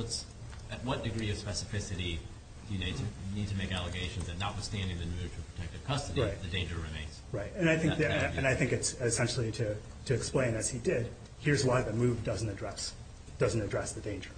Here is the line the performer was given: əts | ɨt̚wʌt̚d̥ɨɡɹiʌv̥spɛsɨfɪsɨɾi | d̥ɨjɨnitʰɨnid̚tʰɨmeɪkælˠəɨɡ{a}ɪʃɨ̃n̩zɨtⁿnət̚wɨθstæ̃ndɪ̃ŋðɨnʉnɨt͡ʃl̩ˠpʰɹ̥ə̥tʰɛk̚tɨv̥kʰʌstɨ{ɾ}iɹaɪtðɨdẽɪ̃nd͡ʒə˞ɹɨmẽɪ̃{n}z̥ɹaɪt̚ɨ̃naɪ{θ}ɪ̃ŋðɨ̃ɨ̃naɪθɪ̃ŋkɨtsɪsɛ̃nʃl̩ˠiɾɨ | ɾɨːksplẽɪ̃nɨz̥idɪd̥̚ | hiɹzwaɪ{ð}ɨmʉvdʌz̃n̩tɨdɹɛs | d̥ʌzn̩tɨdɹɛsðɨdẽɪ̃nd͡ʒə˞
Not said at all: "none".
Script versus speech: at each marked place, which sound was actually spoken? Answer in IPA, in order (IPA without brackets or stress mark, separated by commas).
e, ɾ, n, θ, ð